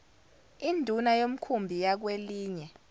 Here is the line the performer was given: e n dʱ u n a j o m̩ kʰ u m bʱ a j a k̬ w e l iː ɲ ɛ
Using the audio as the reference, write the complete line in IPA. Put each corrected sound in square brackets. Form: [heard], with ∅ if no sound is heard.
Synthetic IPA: [i] n dʱ u n a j o m̩ kʰ u m bʱ [i] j a k̬ w e l iː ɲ ɛ